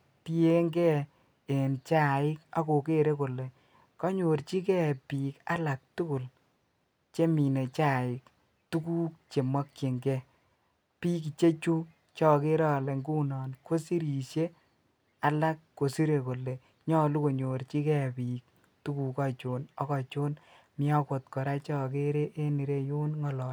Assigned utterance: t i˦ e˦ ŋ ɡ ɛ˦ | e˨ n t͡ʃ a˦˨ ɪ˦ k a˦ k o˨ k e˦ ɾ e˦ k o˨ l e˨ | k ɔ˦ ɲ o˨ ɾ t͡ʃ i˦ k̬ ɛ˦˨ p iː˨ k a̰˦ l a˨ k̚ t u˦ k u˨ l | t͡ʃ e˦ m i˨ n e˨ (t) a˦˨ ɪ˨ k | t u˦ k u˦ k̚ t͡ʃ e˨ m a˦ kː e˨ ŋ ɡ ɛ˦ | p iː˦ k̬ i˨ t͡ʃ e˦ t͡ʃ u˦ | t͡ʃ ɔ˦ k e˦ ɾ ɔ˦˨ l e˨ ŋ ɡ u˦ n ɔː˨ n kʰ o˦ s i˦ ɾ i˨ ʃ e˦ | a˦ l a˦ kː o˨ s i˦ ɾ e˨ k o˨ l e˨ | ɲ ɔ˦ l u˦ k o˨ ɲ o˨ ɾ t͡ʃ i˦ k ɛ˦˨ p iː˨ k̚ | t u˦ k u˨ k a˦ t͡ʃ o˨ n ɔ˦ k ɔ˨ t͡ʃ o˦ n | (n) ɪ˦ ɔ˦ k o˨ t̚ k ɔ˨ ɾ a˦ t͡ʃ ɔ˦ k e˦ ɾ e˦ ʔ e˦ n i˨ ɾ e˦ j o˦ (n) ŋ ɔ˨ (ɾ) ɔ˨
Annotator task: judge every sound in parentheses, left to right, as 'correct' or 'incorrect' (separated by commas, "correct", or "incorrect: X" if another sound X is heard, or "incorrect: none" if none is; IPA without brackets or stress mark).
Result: incorrect: t͡ʃ, incorrect: m, correct, incorrect: l